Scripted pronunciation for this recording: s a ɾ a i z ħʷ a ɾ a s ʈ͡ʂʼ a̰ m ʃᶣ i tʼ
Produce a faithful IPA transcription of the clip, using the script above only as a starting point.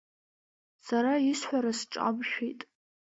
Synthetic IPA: s a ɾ a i s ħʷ a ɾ a s ʈ͡ʂʼ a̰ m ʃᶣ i tʼ